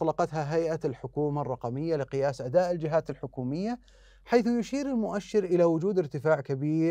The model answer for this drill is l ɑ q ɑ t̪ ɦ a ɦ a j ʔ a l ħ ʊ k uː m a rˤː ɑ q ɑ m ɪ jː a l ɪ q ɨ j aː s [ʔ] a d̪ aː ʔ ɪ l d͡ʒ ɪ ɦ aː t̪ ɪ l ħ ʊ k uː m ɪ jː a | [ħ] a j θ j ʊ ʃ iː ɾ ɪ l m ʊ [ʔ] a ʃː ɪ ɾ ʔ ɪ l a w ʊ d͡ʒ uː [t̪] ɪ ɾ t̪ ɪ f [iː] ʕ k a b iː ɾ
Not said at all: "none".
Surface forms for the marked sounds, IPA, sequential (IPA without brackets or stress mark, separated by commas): ʔ, ħ, ʔ, d̪, aː